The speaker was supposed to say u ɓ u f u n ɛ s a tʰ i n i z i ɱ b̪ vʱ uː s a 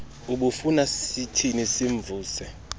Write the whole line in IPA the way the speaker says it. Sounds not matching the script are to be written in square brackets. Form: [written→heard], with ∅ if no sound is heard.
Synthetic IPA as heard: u ɓ u f u n [ɛ→a] s [a→i] tʰ i n i [z→s] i ɱ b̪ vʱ uː s [a→ɛ]